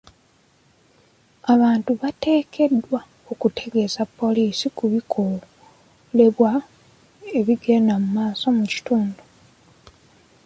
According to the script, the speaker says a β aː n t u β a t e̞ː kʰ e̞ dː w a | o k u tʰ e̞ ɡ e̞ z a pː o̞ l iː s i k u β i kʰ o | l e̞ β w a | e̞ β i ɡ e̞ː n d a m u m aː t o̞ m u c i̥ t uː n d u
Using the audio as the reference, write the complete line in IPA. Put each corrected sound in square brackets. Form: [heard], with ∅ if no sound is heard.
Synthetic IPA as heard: a β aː n t u β a t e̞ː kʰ e̞ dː w a | o k u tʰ e̞ ɡ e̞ z a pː o̞ l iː s i k u β i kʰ o | l e̞ β w a | e̞ β i ɡ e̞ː n d a m u m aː [s] o̞ m u c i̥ t uː n d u